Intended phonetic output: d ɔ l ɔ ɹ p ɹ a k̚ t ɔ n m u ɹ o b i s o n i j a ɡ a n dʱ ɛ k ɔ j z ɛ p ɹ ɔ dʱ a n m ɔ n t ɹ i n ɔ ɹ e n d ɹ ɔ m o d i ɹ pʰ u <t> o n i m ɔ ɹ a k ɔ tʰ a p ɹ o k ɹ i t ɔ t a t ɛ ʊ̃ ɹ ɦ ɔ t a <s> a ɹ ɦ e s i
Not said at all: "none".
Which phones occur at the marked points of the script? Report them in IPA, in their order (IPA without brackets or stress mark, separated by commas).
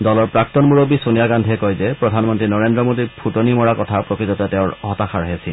t, x